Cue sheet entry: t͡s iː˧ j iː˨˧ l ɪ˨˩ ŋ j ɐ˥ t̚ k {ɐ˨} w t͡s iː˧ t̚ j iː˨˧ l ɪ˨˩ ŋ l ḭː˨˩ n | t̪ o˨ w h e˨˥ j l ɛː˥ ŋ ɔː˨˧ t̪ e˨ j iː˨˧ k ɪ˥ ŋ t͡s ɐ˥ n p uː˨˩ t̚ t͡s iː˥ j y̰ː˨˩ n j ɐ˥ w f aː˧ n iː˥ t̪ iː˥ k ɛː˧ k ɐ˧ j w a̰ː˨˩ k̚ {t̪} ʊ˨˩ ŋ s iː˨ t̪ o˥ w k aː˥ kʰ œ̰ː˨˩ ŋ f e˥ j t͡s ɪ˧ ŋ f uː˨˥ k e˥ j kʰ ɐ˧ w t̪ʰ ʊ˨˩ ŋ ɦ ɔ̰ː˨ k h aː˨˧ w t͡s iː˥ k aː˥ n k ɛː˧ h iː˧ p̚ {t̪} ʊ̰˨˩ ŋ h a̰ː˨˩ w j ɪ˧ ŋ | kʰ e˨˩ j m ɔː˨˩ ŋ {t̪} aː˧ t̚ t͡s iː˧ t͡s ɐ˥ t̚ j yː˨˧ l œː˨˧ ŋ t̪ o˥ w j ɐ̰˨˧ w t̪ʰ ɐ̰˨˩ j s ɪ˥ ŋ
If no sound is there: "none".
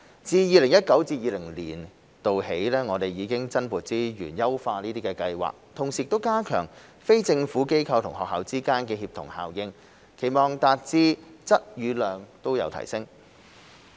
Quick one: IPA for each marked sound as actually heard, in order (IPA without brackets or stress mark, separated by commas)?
ɐ˨˥, t̪ʰ, t̪ʰ, t̪